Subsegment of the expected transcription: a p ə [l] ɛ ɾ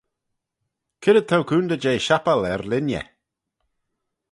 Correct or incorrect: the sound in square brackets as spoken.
correct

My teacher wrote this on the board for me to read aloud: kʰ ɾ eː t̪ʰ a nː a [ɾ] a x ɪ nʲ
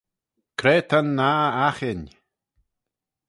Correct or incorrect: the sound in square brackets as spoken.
incorrect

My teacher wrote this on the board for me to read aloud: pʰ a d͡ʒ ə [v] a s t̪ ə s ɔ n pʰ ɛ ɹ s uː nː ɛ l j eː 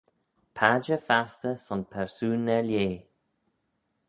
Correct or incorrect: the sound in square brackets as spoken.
incorrect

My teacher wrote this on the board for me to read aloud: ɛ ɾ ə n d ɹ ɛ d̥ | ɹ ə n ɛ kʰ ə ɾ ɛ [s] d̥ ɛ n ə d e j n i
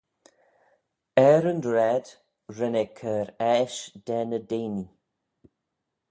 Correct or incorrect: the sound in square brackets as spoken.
incorrect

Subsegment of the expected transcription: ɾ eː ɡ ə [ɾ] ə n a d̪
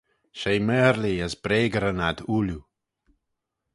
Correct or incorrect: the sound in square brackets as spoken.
correct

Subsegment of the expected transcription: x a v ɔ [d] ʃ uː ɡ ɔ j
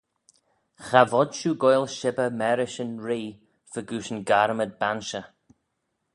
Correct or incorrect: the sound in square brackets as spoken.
correct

